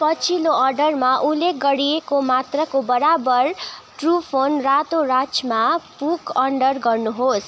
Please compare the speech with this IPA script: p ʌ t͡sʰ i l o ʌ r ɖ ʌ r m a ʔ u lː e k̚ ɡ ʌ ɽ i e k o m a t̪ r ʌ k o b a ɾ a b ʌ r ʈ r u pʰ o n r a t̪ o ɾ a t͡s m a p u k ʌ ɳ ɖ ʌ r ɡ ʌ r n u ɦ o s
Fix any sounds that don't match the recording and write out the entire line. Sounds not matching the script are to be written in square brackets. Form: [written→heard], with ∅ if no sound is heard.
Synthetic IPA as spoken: p ʌ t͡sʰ i l o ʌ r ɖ ʌ r m a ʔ u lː e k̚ ɡ ʌ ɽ i e k o m a t̪ r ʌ k o b [a→ʌ] ɾ a b ʌ r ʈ r u pʰ o n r a t̪ o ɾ a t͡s m a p u k ʌ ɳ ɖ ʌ r ɡ ʌ r n u ɦ o s